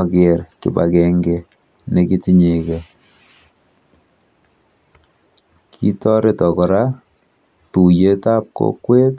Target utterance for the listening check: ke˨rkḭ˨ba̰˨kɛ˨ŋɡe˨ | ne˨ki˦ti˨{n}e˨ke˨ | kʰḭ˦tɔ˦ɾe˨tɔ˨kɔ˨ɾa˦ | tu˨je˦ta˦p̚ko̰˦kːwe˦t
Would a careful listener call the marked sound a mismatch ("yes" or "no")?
yes